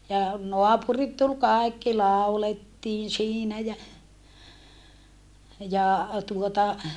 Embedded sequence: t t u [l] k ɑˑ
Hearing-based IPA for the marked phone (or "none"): l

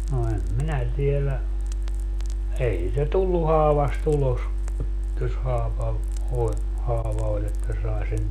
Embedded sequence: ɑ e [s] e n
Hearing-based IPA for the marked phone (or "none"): s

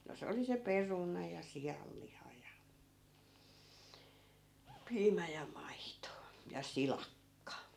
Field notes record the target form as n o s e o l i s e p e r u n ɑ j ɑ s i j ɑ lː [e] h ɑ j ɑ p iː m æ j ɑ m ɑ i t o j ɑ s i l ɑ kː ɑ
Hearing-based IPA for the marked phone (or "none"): i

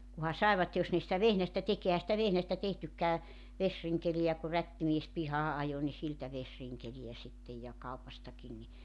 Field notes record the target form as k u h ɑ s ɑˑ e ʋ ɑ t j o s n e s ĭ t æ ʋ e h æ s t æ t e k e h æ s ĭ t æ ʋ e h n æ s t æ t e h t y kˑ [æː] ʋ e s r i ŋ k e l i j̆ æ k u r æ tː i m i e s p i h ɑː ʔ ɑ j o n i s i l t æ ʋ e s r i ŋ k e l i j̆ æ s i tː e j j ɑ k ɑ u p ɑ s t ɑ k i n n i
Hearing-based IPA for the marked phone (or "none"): æː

